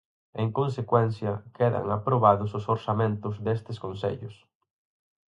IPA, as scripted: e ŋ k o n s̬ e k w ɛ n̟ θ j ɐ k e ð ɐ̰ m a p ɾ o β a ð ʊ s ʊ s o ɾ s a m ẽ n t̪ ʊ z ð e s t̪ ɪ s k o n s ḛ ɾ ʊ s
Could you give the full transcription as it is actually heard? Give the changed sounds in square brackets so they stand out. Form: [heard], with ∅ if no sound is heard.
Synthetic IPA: e ŋ k o n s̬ e k w ɛ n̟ θ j ɐ k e ð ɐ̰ [ŋ] a p ɾ o β a ð ʊ s ʊ s o ɾ s a m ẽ n t̪ ʊ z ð e s t̪ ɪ s k o n s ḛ [ʎ] ʊ s